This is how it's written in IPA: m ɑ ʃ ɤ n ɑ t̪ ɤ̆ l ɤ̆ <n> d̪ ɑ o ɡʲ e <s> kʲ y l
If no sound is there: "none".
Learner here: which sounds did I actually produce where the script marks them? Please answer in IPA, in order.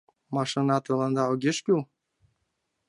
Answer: n, ʃ

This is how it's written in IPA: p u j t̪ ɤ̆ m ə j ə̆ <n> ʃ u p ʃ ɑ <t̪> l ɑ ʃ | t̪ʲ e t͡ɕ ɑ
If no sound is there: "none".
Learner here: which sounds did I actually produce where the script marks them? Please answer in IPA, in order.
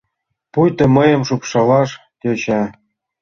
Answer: m, none

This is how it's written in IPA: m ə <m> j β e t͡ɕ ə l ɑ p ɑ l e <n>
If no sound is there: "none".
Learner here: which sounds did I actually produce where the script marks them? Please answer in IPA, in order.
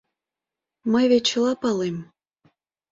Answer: none, m

